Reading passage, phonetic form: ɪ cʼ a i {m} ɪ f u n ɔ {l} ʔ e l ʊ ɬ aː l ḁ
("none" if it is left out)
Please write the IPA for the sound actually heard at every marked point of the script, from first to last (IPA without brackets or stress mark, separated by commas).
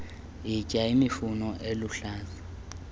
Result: m, none